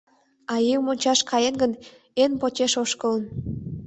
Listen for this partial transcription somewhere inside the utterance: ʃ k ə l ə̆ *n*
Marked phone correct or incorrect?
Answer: correct